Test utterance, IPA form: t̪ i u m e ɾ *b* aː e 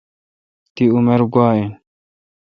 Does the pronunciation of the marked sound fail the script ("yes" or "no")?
yes